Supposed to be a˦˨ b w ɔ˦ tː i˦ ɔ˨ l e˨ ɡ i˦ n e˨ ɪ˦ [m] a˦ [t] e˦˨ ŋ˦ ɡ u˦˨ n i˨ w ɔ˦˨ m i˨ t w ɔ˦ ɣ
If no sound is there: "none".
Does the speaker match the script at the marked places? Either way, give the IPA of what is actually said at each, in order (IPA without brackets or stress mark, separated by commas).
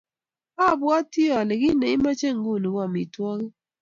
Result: m, t͡ʃ